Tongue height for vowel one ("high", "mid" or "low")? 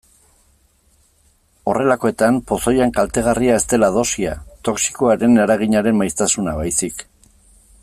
mid